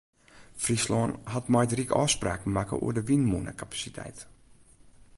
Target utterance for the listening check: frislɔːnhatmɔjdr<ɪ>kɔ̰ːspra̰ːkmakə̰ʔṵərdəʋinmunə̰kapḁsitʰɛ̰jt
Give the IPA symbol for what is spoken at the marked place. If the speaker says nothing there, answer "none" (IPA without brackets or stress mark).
i